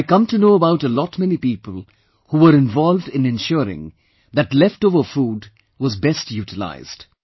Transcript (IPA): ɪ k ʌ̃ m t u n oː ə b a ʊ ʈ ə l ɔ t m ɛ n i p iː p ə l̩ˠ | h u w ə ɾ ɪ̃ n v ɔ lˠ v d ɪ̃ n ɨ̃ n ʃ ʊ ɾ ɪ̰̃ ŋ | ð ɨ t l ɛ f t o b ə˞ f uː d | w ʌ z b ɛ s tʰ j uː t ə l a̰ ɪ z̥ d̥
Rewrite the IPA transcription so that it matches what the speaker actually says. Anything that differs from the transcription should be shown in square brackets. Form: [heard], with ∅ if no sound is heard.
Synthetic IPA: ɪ k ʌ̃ m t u n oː ə b a ʊ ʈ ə l ɔ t m ɛ n i p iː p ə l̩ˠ | h u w ə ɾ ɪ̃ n v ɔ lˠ v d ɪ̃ n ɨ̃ n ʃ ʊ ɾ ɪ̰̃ ŋ | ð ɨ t l ɛ f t o [v] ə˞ f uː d | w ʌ z b ɛ s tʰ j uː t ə l a̰ ɪ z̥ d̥